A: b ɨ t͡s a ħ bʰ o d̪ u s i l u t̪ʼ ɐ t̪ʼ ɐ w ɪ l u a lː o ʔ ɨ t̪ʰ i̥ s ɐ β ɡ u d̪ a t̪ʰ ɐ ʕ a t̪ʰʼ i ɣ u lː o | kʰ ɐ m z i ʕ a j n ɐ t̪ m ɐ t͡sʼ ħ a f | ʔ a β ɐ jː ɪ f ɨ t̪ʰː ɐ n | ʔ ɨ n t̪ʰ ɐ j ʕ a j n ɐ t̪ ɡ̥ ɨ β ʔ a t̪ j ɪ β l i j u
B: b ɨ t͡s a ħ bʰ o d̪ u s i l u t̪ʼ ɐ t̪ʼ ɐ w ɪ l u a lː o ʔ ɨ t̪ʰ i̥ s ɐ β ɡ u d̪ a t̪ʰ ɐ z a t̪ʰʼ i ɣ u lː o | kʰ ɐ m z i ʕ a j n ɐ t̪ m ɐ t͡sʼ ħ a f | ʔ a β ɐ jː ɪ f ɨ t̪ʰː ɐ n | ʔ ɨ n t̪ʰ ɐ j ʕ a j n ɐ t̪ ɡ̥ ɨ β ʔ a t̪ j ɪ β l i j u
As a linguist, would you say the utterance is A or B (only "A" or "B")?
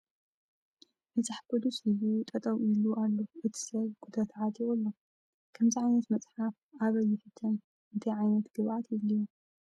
A